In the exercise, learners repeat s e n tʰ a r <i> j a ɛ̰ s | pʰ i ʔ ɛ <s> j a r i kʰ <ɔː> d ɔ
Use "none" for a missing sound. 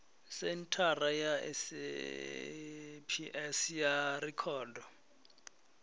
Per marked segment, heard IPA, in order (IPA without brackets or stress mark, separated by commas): a, s, ɔː